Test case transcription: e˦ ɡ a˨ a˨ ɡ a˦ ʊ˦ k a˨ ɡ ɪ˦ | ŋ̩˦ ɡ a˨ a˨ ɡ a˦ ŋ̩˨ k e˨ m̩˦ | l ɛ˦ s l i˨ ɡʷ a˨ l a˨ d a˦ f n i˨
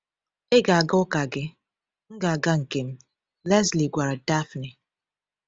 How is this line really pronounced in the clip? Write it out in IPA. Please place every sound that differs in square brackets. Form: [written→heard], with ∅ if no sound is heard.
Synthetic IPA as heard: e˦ ɡ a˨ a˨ ɡ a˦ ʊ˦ k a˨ ɡ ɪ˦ | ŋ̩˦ ɡ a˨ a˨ ɡ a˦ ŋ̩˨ k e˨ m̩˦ | l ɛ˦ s l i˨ ɡʷ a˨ [l→ɾ] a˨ d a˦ f n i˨